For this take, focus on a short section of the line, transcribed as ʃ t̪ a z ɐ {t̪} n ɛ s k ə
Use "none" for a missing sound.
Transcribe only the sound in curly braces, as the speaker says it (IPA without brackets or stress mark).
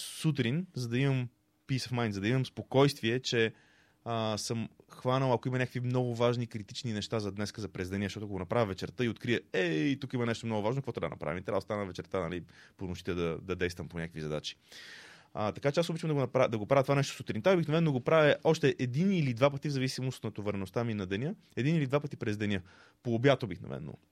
d̪